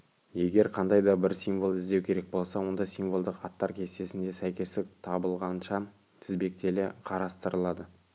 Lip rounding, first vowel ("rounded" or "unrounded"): unrounded